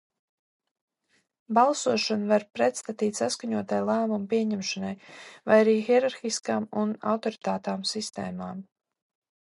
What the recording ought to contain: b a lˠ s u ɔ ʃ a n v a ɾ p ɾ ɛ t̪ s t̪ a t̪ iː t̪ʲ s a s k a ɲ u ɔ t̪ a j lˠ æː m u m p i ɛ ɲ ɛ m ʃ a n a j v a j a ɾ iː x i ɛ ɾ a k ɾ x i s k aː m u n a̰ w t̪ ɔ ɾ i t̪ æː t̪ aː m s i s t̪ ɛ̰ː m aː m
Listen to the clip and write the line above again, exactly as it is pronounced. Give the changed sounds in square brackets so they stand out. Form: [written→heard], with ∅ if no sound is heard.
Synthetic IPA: b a lˠ s u ɔ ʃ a n v a ɾ p ɾ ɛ t̪ s t̪ a t̪ iː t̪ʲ s a s k a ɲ u ɔ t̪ a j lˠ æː m u m p i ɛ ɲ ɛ m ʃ a n a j v a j a ɾ iː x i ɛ ɾ a [k→∅] ɾ x i s k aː m u n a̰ w t̪ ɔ ɾ i t̪ [æː→aː] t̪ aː m s i s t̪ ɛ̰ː m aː m